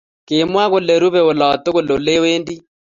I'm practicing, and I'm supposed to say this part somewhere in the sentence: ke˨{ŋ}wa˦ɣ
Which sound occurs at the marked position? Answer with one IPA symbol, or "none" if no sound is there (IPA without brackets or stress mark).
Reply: m